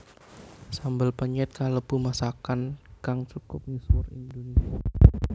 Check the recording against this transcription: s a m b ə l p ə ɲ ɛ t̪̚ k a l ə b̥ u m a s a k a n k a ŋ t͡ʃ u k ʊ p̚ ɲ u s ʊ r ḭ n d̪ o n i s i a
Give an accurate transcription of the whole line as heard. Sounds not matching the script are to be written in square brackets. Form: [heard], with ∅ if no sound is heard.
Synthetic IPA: s a m b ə l p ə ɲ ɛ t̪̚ k a l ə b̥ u m a s a k a n k a ŋ t͡ʃ u k ʊ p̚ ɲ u s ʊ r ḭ n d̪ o n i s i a